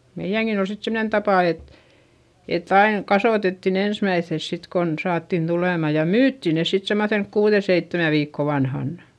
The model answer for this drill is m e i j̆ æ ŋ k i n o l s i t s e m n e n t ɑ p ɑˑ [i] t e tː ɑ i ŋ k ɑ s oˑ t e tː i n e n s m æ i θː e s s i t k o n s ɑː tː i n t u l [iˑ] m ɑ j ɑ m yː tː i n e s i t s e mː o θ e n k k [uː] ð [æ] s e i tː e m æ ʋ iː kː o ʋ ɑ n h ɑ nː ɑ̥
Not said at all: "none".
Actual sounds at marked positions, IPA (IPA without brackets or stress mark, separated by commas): e, eˑ, uː, e